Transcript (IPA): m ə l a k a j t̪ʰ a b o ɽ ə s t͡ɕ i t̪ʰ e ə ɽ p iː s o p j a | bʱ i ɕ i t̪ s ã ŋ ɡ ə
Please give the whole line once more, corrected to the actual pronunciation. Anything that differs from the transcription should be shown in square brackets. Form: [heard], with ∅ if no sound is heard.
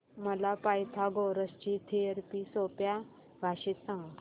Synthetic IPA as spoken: m ə l a [p] a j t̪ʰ a [ɡ] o [ɾ] ə s t͡ɕ i t̪ʰ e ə [ɾ] p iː s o p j a | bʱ [a] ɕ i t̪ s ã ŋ ɡ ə